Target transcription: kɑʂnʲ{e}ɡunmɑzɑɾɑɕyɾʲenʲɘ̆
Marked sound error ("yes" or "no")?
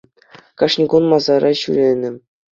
yes